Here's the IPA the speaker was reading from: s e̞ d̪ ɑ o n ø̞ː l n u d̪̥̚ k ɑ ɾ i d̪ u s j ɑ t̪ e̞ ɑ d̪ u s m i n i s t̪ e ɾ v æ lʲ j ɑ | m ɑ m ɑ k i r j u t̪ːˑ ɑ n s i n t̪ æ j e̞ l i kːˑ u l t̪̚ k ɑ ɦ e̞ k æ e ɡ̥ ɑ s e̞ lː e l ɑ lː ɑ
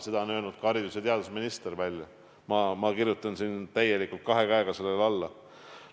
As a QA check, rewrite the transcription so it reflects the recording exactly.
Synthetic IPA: s e̞ d̪ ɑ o n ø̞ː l n u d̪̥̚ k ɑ ɾ i d̪ u s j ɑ t̪ e̞ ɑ d̪ u s m i n i s t̪ e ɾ v æ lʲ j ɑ | m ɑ m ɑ k i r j u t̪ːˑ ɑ n s i n t̪ æ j e̞ l i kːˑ u l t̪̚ k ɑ ɦ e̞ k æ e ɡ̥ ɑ s e̞ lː e l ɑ lː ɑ